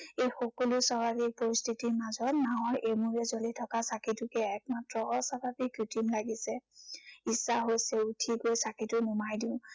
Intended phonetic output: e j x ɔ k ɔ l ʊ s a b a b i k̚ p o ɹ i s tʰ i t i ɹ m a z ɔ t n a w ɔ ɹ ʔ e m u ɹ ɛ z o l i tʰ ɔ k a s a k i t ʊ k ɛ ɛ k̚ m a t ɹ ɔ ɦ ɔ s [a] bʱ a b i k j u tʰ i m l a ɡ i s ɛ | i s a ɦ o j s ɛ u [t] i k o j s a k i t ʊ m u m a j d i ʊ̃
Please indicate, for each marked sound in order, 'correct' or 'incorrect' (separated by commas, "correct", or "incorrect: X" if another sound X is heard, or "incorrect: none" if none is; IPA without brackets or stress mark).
correct, incorrect: tʰ